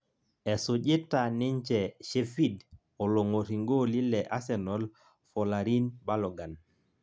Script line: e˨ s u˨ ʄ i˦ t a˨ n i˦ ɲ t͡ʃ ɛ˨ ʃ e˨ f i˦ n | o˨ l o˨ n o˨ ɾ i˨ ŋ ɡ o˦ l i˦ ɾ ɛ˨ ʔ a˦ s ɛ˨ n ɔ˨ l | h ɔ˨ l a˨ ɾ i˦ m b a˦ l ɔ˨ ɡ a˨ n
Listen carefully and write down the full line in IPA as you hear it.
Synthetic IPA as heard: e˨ s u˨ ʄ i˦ t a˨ n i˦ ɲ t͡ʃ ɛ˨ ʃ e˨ f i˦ d | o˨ l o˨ ŋ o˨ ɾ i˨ ŋ ɡ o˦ l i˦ l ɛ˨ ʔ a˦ s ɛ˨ n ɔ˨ l | f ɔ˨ l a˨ ɾ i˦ n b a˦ l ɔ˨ ɡ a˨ n